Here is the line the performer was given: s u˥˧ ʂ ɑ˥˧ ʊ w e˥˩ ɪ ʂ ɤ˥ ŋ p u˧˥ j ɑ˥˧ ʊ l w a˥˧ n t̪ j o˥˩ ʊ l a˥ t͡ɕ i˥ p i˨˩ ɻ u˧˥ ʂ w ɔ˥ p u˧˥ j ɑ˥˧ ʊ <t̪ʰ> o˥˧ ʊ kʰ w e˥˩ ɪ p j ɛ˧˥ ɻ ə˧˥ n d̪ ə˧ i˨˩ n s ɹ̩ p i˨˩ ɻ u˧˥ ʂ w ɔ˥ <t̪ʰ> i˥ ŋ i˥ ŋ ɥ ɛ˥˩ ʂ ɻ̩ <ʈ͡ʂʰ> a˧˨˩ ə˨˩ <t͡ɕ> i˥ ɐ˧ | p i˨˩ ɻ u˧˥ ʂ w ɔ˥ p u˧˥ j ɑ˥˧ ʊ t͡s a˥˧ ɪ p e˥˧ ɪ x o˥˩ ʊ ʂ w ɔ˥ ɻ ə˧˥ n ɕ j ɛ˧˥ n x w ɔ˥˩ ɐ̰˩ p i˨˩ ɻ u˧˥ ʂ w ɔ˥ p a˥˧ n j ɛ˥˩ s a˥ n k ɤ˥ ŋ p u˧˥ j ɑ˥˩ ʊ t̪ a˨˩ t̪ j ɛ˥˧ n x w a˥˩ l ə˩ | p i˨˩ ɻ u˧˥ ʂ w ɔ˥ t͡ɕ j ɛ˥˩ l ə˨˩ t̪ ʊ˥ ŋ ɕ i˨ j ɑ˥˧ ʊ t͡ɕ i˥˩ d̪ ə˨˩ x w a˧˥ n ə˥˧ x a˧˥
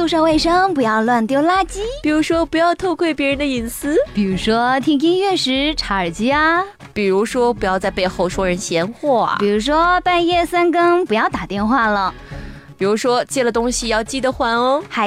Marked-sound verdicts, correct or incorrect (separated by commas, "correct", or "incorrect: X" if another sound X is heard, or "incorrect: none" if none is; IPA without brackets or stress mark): correct, correct, correct, correct